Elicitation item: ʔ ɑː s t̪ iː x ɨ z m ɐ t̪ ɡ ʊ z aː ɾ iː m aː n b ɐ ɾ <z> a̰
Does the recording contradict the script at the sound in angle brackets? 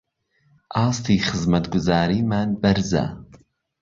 no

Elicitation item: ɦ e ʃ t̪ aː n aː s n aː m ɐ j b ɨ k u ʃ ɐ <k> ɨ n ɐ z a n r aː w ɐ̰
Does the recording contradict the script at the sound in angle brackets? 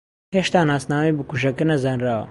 no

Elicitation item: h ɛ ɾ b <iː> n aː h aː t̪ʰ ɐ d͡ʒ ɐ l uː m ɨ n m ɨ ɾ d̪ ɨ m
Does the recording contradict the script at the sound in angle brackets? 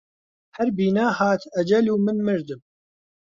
no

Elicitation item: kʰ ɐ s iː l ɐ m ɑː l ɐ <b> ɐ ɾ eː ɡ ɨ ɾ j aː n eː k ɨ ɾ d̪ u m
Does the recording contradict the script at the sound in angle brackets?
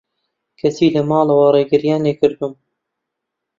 yes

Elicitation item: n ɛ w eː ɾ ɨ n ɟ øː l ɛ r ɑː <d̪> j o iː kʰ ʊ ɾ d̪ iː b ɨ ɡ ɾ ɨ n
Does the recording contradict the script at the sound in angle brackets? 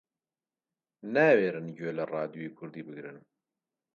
no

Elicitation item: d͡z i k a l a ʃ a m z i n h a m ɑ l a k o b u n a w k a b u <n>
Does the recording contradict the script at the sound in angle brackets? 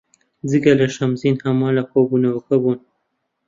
no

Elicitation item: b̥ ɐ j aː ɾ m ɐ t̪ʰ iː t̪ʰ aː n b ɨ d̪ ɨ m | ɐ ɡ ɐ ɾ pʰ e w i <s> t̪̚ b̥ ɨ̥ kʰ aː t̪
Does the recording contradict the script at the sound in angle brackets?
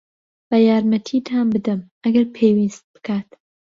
no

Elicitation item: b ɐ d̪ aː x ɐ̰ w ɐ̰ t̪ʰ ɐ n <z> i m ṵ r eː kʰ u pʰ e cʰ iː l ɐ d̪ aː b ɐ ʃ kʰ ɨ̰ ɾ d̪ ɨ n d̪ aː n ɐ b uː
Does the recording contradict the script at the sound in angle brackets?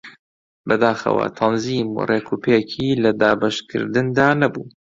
no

